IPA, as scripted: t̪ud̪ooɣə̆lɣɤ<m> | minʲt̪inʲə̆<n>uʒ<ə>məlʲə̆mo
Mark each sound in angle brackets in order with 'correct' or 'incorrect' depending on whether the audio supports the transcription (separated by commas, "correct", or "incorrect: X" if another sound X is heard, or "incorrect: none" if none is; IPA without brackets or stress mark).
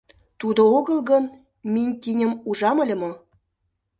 incorrect: n, incorrect: m, incorrect: ɑ